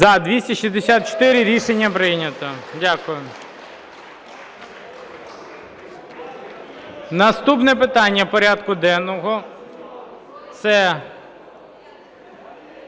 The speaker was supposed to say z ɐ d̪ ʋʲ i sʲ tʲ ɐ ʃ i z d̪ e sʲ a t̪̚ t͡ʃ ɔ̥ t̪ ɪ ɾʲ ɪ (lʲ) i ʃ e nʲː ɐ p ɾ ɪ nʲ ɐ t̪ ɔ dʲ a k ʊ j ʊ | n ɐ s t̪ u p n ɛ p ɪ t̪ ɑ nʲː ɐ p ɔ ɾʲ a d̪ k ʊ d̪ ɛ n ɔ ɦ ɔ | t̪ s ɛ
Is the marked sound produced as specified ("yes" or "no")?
no